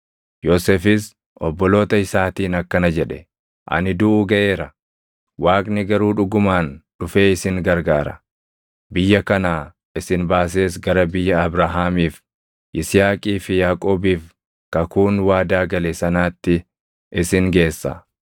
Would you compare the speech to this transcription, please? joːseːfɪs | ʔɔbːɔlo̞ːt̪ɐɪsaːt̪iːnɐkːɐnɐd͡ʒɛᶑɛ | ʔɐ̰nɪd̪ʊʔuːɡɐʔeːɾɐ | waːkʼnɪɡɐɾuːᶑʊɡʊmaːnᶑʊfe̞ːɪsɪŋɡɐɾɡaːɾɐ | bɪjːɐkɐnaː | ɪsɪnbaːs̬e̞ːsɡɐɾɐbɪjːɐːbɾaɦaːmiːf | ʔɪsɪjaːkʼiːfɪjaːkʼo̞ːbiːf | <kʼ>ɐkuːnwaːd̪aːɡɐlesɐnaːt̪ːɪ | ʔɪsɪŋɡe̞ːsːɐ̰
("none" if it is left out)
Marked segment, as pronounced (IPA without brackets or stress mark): k